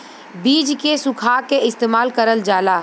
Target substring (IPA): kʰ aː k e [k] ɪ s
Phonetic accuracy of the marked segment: incorrect: none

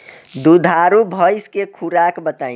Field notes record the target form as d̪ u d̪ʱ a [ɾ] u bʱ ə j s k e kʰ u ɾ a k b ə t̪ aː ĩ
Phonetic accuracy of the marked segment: correct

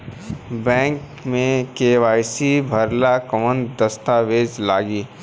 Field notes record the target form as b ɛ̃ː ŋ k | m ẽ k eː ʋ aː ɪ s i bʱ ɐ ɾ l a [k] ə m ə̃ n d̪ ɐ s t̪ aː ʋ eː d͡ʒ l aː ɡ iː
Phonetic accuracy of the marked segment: correct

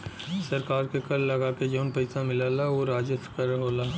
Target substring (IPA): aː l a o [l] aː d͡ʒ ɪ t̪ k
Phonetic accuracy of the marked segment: incorrect: ɾ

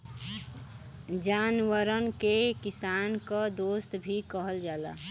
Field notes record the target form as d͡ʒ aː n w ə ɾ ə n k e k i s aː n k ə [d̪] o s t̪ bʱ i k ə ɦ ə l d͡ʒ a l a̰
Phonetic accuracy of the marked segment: correct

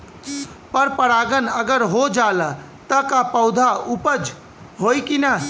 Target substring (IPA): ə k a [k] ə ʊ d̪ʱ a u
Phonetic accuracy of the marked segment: incorrect: p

